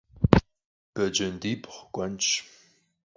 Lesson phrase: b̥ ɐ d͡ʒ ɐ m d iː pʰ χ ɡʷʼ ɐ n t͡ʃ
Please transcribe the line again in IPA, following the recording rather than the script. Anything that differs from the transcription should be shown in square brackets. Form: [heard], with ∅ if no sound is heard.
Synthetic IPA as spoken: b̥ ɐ d͡ʒ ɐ [n] d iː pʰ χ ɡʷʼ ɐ n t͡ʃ